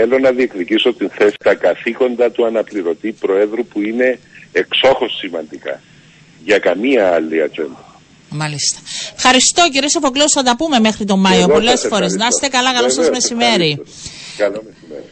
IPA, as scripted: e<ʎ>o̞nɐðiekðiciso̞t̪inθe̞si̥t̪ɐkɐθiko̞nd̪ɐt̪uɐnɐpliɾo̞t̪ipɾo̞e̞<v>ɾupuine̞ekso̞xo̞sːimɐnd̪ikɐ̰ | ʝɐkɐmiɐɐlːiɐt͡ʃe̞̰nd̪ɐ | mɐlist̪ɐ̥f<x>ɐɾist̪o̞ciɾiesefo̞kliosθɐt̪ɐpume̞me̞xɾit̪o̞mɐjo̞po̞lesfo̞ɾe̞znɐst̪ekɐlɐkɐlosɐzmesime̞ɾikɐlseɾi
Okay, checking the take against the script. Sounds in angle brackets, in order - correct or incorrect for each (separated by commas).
incorrect, incorrect, correct